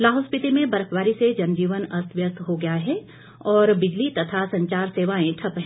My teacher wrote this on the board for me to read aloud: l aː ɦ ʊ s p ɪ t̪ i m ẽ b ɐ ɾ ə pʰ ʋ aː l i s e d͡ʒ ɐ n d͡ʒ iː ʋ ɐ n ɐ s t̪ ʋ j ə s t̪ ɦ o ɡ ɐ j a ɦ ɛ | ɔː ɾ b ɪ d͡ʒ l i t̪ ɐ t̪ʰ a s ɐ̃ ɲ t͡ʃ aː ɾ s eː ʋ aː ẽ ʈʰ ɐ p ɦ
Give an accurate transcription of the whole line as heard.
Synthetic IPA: l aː ɦ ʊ s p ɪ t̪ i m ẽ b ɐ ɾ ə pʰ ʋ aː ɾ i s e d͡ʒ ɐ n d͡ʒ iː ʋ ə n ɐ s t̪ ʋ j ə s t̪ ɦ o ɡ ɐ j a ɦ ɛ | ɔː ɾ b ɪ d͡ʒ l i t̪ ɐ t̪ʰ a s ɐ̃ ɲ t͡ʃ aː ɾ s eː ʋ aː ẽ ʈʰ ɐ p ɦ